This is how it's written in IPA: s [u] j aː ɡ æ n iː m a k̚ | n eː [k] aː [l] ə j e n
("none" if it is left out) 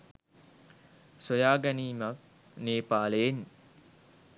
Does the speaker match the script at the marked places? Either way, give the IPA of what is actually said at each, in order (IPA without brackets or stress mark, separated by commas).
o, p, l